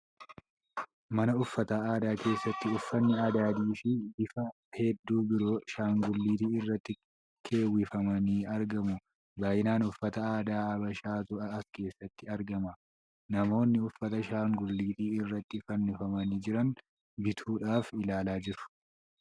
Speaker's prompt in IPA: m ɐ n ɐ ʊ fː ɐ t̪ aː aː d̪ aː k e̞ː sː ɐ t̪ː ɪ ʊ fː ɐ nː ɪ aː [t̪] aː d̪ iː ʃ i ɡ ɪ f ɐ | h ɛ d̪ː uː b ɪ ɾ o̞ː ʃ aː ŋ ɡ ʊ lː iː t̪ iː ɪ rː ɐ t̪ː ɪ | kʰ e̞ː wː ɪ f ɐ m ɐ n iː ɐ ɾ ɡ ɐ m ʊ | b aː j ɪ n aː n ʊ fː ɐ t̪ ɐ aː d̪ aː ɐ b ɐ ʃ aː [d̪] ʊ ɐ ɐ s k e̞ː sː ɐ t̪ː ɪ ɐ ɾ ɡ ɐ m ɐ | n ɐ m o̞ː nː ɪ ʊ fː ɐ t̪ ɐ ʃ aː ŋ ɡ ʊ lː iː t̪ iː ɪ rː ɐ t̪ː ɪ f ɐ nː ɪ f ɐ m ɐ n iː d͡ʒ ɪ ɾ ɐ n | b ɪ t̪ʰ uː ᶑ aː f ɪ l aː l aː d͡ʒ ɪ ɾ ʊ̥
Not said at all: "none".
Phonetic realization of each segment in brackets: d̪, t̪

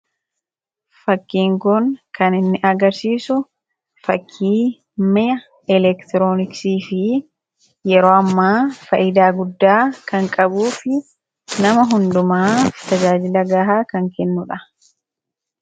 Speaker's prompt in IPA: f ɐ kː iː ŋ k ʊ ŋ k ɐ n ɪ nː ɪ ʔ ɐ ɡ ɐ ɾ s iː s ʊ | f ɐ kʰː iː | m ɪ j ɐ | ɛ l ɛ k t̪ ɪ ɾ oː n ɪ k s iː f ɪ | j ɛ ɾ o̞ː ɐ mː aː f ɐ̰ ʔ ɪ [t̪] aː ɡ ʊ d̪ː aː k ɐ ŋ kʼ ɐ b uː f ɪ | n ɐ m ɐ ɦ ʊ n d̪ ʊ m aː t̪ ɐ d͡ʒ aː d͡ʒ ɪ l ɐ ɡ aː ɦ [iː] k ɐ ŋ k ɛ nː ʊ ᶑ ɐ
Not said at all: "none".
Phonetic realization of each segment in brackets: d̪, aː

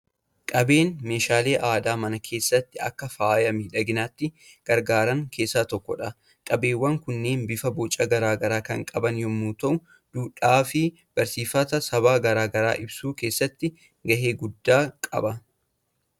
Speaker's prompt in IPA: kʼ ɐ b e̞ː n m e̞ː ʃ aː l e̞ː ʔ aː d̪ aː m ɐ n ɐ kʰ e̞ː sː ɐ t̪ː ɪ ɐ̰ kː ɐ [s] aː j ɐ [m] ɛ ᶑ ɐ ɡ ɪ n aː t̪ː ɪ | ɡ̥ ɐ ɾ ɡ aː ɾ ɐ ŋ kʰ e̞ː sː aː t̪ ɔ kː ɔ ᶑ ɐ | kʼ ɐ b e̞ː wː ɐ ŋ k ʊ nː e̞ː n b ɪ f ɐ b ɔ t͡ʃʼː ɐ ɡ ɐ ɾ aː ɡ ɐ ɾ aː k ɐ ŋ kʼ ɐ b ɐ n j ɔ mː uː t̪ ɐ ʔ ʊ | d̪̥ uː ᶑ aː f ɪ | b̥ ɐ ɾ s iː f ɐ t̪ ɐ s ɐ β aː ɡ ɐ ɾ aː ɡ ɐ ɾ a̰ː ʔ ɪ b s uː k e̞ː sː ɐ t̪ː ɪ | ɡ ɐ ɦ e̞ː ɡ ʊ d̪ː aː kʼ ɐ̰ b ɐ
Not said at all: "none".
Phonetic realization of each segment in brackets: f, m

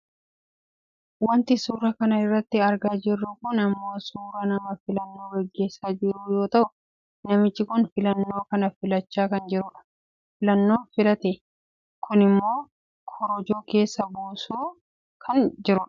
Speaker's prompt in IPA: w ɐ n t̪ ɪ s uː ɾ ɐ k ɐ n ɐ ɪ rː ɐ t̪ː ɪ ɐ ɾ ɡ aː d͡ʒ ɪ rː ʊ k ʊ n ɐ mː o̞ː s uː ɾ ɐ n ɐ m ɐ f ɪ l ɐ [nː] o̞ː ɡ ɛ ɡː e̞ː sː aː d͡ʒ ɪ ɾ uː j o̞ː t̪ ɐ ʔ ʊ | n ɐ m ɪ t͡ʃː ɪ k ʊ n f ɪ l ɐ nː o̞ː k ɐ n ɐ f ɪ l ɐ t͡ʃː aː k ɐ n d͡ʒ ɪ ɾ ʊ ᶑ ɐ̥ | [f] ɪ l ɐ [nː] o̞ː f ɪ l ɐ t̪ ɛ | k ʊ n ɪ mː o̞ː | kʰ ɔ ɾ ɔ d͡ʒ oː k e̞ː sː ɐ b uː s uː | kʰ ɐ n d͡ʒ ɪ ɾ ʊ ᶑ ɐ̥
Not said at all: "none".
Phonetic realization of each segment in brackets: nː, f, nː

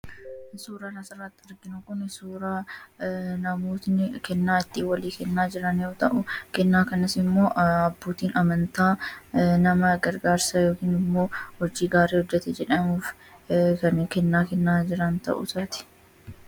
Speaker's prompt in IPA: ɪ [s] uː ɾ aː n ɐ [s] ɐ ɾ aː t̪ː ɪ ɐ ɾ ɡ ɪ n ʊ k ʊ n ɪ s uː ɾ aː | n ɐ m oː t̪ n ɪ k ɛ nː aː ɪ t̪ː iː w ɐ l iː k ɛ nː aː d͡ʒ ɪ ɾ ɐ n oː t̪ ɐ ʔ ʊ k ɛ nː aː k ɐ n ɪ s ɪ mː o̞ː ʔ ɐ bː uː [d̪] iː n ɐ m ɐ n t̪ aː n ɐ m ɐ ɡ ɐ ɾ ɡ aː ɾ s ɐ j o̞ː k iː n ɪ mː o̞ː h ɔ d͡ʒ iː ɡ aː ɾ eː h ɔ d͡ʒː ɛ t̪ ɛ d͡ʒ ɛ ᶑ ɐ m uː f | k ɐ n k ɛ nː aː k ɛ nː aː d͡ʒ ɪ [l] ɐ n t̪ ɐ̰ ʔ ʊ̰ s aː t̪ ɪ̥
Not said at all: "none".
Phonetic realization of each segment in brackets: s, s, t̪, ɾ

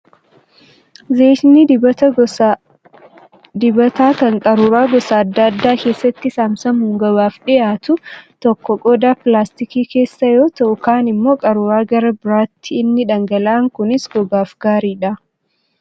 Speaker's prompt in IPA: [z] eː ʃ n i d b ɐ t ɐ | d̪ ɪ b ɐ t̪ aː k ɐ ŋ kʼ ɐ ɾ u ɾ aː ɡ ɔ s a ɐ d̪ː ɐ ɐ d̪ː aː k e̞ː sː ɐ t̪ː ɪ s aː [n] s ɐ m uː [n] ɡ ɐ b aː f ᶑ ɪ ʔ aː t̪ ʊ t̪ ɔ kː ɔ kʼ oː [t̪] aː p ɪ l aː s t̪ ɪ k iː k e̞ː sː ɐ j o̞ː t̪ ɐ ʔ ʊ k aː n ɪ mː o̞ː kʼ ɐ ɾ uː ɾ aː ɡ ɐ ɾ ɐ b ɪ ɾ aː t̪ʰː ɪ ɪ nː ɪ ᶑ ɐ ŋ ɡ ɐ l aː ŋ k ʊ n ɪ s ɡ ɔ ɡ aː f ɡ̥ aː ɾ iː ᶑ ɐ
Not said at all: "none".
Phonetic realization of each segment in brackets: z, m, ŋ, d̪

